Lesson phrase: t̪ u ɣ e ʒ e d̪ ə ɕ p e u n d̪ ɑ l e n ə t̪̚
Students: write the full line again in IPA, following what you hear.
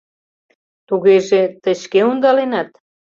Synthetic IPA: t̪ u ɣ e ʒ e t̪ ə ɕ k e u n d̪ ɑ l e n ɑ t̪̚